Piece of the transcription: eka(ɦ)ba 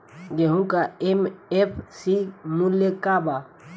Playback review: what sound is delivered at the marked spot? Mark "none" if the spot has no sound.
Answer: none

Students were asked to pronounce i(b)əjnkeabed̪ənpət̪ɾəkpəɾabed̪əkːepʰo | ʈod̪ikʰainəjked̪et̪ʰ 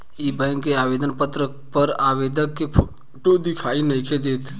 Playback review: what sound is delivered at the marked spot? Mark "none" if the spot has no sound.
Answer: b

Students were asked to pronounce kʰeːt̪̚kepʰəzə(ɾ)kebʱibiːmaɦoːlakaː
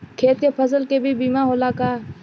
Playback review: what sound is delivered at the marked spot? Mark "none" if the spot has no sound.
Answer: l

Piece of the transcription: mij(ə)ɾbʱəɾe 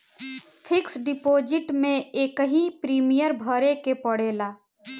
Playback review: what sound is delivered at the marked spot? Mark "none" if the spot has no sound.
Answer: ə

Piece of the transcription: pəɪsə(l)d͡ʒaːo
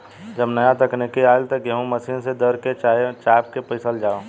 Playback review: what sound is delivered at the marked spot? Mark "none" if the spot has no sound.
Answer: l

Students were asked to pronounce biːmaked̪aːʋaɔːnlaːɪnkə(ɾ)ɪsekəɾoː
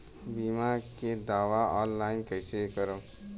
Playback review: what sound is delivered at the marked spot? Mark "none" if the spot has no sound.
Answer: none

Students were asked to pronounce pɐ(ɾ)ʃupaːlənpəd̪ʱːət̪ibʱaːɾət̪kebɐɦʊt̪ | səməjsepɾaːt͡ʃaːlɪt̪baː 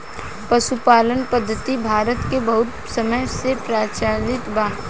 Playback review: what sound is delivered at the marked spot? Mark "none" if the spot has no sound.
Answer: none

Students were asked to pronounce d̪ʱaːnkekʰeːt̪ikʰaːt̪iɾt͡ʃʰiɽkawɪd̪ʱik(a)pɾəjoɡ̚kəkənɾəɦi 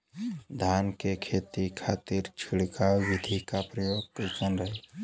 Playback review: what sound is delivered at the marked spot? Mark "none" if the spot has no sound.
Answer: a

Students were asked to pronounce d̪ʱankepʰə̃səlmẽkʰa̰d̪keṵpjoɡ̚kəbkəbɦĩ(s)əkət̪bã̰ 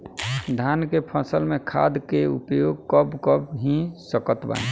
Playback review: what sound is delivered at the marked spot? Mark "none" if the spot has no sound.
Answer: s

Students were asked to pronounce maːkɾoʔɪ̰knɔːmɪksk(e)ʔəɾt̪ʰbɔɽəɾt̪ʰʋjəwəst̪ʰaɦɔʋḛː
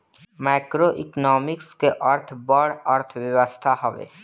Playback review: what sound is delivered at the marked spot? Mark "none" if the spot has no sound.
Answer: e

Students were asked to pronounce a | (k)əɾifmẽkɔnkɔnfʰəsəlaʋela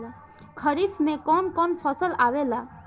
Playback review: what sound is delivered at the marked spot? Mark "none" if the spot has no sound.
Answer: kʰ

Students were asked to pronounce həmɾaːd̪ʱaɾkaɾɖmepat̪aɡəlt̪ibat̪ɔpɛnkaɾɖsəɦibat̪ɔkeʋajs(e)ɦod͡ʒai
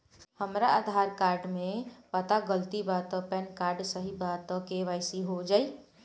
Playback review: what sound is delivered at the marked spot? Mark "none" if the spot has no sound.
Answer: i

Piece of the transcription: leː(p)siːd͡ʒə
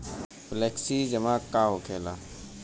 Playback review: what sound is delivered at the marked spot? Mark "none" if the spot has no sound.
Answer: k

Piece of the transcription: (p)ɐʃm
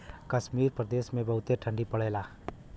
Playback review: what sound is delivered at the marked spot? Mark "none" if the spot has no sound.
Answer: k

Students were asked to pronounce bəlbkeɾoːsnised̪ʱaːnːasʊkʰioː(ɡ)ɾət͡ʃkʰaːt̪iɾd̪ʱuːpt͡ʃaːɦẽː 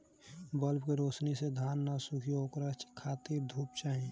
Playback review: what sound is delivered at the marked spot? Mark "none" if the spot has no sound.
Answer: k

